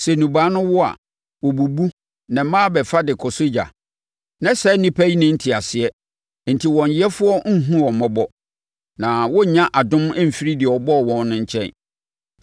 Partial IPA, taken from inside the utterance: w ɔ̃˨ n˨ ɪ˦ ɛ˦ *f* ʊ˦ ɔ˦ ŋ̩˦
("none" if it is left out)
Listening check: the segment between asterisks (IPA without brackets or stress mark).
f